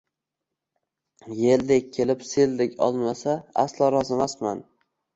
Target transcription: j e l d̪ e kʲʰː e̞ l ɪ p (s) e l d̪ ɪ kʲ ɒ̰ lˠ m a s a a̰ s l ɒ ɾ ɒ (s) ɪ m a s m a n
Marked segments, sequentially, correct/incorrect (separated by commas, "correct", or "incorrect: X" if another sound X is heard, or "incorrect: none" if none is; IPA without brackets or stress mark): correct, incorrect: z